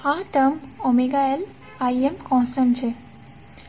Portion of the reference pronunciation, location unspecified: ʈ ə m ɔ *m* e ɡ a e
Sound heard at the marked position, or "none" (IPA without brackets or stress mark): m